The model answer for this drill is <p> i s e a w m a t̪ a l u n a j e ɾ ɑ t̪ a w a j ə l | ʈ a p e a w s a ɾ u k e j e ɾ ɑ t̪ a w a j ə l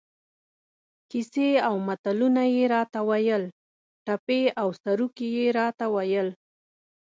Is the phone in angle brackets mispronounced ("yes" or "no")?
yes